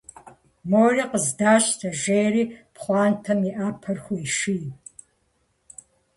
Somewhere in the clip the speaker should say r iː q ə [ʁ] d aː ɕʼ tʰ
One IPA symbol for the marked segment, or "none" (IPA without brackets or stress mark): z